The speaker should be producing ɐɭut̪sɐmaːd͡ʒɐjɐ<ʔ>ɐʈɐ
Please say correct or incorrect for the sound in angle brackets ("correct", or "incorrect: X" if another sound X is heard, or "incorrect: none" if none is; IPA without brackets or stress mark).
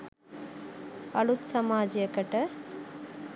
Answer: incorrect: k